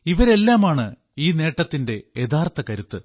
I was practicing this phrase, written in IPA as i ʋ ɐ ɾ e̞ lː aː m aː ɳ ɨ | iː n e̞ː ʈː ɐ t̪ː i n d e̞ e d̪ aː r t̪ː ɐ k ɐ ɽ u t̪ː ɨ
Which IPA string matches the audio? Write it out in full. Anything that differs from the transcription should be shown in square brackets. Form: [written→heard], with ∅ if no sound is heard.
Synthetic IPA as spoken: i ʋ ɐ ɾ e̞ lː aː m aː ɳ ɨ | iː n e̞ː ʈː ɐ t̪ː i n d e̞ e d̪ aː r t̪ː ɐ k ɐ [ɽ→ɾ] u t̪ː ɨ

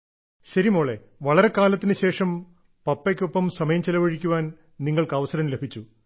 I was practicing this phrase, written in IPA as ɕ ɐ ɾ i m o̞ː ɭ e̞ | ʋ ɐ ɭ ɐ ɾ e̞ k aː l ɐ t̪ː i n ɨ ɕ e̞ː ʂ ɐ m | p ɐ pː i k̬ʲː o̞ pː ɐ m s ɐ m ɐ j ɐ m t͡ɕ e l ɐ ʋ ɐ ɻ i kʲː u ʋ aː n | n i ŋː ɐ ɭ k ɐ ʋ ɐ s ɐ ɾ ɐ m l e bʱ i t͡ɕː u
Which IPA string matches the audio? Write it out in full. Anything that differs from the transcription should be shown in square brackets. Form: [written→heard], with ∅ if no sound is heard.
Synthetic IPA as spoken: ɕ ɐ ɾ i m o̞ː ɭ e̞ | ʋ ɐ ɭ ɐ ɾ e̞ k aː l ɐ t̪ː i n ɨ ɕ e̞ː ʂ ɐ m | p ɐ pː [i→e] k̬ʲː o̞ pː ɐ m s ɐ m ɐ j ɐ m t͡ɕ e l ɐ ʋ ɐ ɻ i kʲː u ʋ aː n | n i ŋː ɐ ɭ k ɐ ʋ ɐ s ɐ ɾ ɐ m l e bʱ i t͡ɕː u

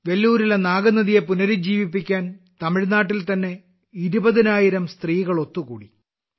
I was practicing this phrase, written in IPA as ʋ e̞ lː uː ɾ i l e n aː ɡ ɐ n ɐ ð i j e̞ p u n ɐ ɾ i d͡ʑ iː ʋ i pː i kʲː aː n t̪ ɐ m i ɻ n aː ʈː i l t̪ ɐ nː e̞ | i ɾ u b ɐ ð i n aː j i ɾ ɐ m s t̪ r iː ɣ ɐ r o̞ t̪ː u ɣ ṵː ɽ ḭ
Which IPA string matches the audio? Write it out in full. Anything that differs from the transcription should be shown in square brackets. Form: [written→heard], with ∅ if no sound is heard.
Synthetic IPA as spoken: ʋ e̞ lː uː ɾ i l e n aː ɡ ɐ n ɐ ð i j e̞ p u n ɐ ɾ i d͡ʑ iː ʋ i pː i kʲː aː n t̪ ɐ m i ɻ n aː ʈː i l t̪ ɐ nː e̞ | i ɾ u b ɐ ð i n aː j i ɾ ɐ m s t̪ r iː ɣ ɐ [r→ɭ] o̞ t̪ː u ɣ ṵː ɽ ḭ

